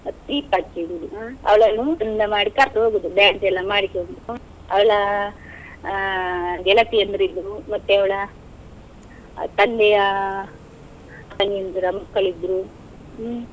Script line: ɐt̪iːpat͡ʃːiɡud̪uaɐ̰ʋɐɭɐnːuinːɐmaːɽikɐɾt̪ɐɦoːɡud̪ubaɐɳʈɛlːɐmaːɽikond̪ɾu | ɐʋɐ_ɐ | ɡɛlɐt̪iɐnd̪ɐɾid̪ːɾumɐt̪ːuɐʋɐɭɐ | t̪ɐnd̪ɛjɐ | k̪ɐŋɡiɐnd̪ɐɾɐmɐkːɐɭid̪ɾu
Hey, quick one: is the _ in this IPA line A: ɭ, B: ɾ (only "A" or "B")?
A